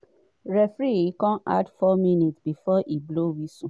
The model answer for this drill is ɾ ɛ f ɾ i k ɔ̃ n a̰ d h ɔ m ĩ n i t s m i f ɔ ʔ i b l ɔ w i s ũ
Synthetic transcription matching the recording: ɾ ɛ f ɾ i k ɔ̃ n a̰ d f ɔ m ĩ n i t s b i f ɔ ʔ i b l o w i s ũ